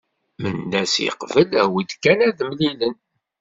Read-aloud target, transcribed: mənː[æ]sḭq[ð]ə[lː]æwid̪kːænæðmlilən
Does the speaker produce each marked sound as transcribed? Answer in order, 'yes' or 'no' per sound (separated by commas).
yes, no, no